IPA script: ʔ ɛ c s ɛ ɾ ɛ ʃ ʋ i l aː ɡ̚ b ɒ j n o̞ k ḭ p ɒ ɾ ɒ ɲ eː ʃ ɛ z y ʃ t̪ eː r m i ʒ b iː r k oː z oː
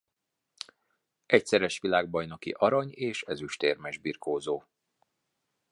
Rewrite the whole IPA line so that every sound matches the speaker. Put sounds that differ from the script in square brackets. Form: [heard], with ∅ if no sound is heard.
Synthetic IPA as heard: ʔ ɛ c s ɛ ɾ ɛ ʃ ʋ i l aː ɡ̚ b ɒ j n o̞ k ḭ [ʔ] ɒ ɾ ɒ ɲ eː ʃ ɛ z y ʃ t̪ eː r m [ɛ] ʒ b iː r k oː z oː